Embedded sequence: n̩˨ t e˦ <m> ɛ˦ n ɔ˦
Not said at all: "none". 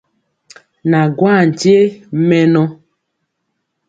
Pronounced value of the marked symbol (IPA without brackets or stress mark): m